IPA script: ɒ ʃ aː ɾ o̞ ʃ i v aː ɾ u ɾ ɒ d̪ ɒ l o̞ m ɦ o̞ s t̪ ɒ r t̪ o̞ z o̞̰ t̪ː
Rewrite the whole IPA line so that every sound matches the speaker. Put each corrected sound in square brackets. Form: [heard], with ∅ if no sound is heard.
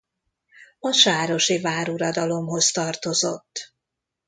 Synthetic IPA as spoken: ɒ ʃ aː ɾ o̞ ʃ i v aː ɾ u ɾ ɒ d̪ ɒ l o̞ m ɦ o̞ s t̪ ɒ r t̪ o̞ z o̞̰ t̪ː